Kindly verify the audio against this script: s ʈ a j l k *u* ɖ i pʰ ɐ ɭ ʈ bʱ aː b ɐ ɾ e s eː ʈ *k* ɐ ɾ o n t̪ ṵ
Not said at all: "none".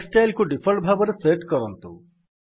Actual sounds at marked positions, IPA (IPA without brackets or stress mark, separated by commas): u, k